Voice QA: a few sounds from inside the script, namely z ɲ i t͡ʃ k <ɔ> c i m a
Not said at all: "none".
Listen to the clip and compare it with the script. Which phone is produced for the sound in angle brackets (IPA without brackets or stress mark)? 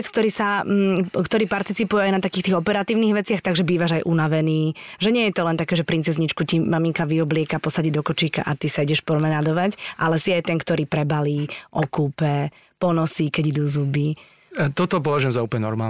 u